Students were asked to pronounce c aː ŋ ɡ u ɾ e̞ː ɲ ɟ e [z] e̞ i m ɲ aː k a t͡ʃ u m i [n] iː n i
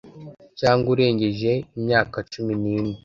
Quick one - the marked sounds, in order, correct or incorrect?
incorrect, correct

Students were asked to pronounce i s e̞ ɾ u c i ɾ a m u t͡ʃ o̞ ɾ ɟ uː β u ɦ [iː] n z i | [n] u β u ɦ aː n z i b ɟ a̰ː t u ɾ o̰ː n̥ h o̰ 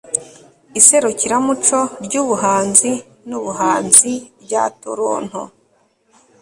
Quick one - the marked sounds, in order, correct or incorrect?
incorrect, correct

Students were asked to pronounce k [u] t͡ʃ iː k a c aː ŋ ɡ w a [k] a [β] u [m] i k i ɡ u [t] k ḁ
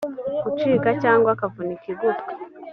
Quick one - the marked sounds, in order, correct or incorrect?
correct, correct, incorrect, incorrect, correct

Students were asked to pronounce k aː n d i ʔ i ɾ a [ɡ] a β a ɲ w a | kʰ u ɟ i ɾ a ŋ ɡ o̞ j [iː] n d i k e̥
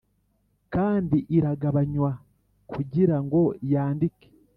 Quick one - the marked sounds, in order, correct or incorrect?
correct, incorrect

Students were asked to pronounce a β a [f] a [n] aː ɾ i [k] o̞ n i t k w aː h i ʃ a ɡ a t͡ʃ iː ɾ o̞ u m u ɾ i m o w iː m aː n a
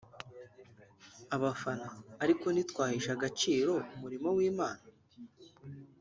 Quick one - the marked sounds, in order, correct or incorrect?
correct, correct, correct

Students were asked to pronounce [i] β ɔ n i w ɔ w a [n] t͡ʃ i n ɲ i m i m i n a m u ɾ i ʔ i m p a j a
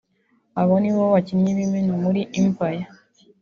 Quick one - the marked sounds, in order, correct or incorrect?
incorrect, incorrect

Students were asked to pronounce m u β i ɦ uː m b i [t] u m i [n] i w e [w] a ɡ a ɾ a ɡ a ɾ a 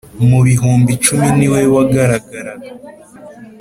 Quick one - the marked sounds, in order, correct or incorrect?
incorrect, correct, correct

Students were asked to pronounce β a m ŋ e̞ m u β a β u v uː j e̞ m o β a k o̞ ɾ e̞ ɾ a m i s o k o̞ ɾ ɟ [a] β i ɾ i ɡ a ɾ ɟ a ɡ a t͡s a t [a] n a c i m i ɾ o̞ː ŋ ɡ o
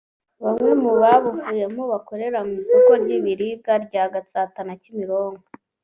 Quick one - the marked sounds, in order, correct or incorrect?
incorrect, correct

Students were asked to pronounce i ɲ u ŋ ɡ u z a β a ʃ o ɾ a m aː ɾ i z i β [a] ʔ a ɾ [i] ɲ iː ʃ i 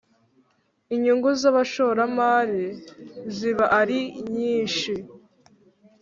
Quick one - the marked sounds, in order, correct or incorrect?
correct, correct

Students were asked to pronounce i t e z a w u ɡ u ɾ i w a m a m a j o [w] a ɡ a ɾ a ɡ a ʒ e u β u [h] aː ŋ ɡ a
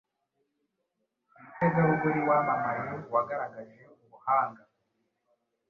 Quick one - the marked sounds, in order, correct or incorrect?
correct, correct

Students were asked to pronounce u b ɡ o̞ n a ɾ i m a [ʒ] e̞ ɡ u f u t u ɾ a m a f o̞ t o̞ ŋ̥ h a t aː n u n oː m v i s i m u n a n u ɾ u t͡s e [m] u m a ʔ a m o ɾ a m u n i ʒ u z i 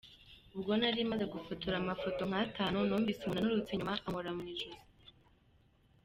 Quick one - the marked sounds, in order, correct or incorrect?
incorrect, incorrect

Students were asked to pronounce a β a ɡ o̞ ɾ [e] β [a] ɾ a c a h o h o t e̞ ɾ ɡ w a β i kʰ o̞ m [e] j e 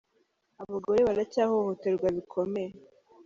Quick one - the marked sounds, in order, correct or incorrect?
correct, correct, correct

